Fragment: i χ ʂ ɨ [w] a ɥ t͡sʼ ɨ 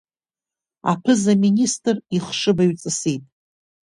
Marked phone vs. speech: incorrect: b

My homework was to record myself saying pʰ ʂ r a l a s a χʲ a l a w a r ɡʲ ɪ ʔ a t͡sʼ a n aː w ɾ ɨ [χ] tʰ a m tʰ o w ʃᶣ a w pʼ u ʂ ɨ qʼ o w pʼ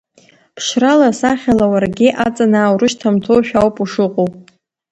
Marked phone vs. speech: incorrect: ʃ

